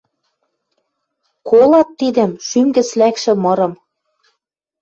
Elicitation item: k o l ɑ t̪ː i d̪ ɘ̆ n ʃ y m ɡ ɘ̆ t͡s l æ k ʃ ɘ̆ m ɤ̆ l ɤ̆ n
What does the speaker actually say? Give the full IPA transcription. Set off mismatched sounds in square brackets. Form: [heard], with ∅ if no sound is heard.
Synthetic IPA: k o l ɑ t̪ː i d̪ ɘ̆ [m] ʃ y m ɡ ɘ̆ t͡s l æ k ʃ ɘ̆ m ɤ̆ [ɾ] ɤ̆ [m]